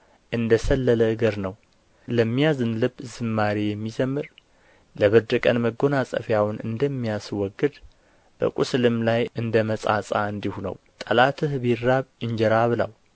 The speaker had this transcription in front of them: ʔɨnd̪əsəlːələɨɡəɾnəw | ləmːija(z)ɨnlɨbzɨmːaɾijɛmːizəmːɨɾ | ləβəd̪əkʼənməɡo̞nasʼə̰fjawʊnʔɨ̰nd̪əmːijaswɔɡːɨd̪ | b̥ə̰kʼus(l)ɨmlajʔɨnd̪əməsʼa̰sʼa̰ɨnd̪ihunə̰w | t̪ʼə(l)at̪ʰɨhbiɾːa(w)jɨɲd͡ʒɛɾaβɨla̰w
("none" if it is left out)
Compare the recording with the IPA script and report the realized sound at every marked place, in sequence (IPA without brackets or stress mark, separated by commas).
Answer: z, l, l, β